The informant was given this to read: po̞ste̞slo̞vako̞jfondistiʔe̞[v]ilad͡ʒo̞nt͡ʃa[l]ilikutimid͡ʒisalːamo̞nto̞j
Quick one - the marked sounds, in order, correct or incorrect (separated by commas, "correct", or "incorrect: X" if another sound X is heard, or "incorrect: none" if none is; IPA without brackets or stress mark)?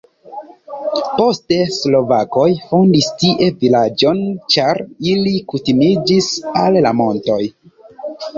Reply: correct, incorrect: ɾ